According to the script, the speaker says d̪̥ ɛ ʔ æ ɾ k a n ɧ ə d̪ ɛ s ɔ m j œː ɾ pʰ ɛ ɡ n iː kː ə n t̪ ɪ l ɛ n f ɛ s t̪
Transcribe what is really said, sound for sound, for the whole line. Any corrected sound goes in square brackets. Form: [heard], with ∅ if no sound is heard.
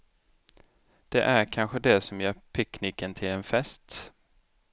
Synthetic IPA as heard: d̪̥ ɛ ʔ æ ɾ [kʰ] a n ɧ ə d̪ ɛ s ɔ m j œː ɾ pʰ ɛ [k] n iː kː ə n [t̪ʰ] ɪ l ɛ n f ɛ s t̪

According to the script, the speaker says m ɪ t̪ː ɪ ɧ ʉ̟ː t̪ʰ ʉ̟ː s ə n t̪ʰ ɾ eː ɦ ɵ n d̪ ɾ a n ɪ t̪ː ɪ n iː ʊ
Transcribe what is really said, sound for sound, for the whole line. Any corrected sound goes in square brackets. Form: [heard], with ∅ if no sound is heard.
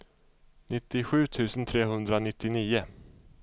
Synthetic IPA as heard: [n] ɪ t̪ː ɪ ɧ ʉ̟ː t̪ʰ ʉ̟ː s ə n t̪ʰ ɾ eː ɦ ɵ n d̪ ɾ a n ɪ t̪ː ɪ n iː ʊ

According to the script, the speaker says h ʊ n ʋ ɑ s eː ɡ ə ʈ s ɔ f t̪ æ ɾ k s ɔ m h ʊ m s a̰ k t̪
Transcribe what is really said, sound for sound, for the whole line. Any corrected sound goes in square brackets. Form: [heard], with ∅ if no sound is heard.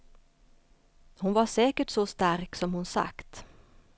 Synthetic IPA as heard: h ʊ n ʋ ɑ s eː [k] ə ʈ s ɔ [s] t̪ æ ɾ k s ɔ m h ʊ [n] s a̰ k t̪

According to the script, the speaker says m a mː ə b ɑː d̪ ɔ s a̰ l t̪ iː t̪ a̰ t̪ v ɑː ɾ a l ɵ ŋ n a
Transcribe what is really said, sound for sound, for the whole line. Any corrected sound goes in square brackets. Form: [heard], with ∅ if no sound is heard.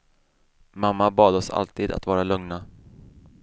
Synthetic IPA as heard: m a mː [a] b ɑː d̪ ɔ s a̰ l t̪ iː [d̪] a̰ t̪ v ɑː ɾ a l ɵ ŋ n a

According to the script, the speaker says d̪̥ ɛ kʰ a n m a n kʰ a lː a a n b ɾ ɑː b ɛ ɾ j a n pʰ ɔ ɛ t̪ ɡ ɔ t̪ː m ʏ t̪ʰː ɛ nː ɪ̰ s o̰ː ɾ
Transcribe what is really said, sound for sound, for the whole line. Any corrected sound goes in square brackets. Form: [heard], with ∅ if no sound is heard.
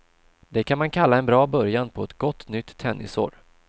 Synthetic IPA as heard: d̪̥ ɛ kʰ a n m a n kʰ a lː a [ɛ] n b ɾ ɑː b [œ] ɾ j a n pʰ ɔ ɛ t̪ ɡ ɔ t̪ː [n] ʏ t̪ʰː ɛ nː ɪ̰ s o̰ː ɾ

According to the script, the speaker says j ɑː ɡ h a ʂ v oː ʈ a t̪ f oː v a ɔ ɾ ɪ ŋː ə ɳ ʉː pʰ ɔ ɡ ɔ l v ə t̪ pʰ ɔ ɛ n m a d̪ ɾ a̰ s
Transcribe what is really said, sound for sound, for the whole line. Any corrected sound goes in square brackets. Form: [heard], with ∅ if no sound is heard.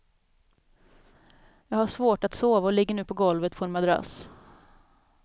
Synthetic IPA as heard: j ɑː ɡ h a ʂ v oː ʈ a t̪ [s] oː v a ɔ [l] ɪ [ɡː] ə ɳ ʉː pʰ ɔ ɡ ɔ l v ə t̪ pʰ ɔ ɛ n m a d̪ ɾ a̰ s

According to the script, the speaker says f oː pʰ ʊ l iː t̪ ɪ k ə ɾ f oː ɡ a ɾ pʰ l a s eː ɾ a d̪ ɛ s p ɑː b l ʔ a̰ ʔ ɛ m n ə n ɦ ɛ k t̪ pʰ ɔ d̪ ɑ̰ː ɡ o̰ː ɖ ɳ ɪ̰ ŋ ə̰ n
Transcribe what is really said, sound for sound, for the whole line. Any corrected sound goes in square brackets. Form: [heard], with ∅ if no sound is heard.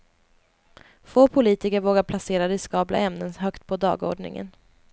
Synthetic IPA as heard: f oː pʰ ʊ l iː t̪ ɪ k ə ɾ [v] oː ɡ a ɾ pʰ l a s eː ɾ a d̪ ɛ s [k] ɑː b l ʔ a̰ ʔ ɛ m n ə n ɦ [œ] k t̪ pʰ ɔ d̪ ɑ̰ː ɡ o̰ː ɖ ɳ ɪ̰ ŋ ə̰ n

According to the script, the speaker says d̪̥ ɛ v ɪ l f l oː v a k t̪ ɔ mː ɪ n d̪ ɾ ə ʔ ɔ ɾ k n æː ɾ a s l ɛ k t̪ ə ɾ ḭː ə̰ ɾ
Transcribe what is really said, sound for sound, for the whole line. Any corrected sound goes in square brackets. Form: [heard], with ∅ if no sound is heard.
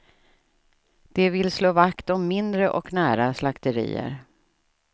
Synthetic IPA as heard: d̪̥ ɛ v ɪ l [s] l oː v a k t̪ ɔ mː ɪ n d̪ ɾ ə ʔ ɔ [∅] k n æː ɾ a s l [a] k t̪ ə ɾ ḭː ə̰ ɾ

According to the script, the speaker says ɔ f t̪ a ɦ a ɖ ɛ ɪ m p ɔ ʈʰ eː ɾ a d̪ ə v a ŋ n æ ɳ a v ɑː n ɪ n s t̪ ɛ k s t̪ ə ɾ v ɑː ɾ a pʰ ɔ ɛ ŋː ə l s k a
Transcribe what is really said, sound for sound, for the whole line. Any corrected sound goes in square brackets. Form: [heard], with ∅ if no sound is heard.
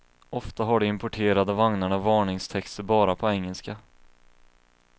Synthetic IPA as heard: ɔ f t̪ a ɦ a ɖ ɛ ɪ m p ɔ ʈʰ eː ɾ a d̪ ə v a ŋ n [a] ɳ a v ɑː [ɳ] ɪ [ŋ] s [t̪ʰ] ɛ k s t̪ ə ɾ [b] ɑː ɾ a pʰ ɔ ɛ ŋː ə l s k a

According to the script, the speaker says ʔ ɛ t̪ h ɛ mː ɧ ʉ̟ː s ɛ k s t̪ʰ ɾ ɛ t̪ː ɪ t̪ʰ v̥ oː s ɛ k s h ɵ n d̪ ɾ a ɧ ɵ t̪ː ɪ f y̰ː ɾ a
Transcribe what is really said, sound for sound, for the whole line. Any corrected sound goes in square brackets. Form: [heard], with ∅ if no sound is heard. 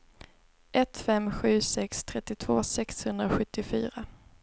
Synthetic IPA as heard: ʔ ɛ t̪ [f] ɛ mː ɧ ʉ̟ː s ɛ k s t̪ʰ ɾ ɛ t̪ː ɪ t̪ʰ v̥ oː s ɛ k s h ɵ n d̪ ɾ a ɧ ɵ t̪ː ɪ f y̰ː ɾ a

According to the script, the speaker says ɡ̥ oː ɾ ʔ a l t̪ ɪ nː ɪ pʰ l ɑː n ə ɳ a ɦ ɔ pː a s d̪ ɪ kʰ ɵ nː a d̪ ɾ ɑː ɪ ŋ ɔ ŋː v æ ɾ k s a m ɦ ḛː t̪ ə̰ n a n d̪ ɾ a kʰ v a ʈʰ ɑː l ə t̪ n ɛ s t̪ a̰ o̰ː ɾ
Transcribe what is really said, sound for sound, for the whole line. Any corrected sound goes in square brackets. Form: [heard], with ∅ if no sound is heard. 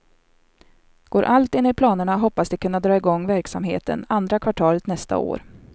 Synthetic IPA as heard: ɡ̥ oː ɾ ʔ a l t̪ ɪ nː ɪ pʰ l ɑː n ə ɳ a ɦ ɔ pː a s d̪ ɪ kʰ ɵ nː a d̪ ɾ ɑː ɪ [ɡ] ɔ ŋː v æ ɾ k s a m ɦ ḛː t̪ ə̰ n a n d̪ ɾ a kʰ v a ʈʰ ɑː l ə t̪ n ɛ s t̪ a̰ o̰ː ɾ

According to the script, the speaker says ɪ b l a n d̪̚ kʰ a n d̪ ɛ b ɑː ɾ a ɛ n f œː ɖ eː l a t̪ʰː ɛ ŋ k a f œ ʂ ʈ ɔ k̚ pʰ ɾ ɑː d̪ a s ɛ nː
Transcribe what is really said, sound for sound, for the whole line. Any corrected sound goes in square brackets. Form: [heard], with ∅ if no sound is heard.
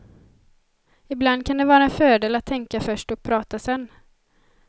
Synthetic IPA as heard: ɪ b l a n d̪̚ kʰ a n d̪ ɛ [v] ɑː ɾ a ɛ n f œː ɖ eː l a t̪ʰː ɛ ŋ k a f œ ʂ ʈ ɔ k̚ pʰ ɾ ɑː [t̪] a s ɛ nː

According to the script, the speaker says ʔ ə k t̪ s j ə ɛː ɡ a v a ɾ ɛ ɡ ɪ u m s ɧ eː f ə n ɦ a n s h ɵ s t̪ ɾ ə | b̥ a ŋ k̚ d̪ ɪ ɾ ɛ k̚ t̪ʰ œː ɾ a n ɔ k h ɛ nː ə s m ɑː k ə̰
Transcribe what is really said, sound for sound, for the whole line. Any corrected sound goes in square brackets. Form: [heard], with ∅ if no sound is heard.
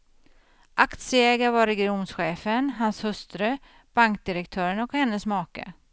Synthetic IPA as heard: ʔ [a] k t̪ s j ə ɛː ɡ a v a ɾ ɛ ɡ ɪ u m s ɧ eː f ə n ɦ a n s h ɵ s t̪ ɾ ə | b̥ a ŋ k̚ d̪ ɪ ɾ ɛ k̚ t̪ʰ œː ɾ [ə] n ɔ k h ɛ nː ə s m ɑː k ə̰

